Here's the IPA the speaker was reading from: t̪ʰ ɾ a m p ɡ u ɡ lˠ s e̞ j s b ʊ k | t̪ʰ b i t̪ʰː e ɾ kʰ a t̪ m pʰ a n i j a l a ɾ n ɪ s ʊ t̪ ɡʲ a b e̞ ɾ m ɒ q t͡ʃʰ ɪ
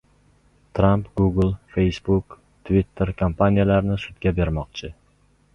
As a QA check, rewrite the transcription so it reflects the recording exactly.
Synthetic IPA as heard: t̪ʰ ɾ a m p ɡ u ɡ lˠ f e̞ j s b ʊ k | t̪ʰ v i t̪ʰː e ɾ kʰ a m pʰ a n i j a l a ɾ n ɪ s ʊ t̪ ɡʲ a b e̞ ɾ m ɒ q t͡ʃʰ ɪ